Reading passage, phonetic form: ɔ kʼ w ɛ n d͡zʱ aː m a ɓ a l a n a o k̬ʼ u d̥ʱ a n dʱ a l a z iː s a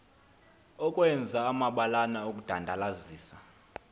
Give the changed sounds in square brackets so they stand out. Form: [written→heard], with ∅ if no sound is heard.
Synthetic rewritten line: ɔ kʼ w ɛ n d͡zʱ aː m a ɓ a l a n a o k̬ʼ u d̥ʱ a n dʱ a l a z iː s a